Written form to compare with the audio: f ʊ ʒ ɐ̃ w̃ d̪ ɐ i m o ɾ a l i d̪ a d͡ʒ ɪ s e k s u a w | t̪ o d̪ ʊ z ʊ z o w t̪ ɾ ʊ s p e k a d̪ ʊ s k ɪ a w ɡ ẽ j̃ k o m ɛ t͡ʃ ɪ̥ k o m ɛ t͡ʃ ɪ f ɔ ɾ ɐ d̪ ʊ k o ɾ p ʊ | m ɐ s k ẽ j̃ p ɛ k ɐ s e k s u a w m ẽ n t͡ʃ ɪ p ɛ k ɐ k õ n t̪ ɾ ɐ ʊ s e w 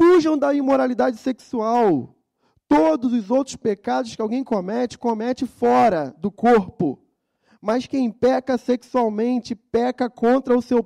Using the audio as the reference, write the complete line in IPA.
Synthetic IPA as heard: f u ʒ ɐ̃ w̃ d̪ ɐ i m o ɾ a l i d̪ a d͡ʒ ɪ s e k s u a w | t̪ o d̪ ʊ z ʊ z o w t̪ ɾ ʊ s p e k a d̪ ʊ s k ɪ a w ɡ ẽ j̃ k o m ɛ t͡ʃ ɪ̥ k o m ɛ t͡ʃ ɪ f ɔ ɾ ɐ d̪ ʊ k o ɾ p ʊ | m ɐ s k ẽ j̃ p ɛ k ɐ s e k s u a w m ẽ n t͡ʃ ɪ p ɛ k ɐ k õ n t̪ ɾ ɐ ʊ s e w